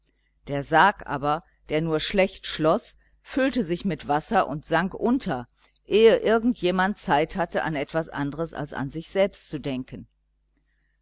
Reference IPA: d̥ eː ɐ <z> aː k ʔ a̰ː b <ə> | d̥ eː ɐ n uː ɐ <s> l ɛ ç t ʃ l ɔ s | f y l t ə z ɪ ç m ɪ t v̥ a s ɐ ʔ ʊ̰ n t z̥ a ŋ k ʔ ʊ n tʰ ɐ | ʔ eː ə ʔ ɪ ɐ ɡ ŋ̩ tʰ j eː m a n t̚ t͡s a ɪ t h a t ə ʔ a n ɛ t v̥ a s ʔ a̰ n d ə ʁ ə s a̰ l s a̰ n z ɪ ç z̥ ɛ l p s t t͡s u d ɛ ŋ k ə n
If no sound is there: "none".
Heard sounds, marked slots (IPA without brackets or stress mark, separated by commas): z, ɐ, ʃ